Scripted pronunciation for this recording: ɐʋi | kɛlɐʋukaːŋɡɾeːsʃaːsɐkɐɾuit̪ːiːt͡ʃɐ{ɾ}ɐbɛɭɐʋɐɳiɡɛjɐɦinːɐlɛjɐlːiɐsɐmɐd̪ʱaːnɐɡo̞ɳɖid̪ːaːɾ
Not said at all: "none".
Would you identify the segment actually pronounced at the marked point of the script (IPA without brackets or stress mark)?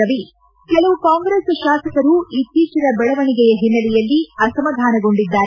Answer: ɾ